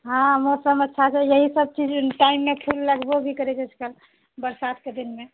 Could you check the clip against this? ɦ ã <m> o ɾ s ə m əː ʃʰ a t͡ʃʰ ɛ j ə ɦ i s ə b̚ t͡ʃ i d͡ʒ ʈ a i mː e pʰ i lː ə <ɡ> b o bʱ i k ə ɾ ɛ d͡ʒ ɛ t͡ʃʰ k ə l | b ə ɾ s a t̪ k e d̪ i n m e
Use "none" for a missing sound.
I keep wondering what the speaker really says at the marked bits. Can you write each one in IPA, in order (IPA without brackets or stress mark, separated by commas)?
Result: m, ɡ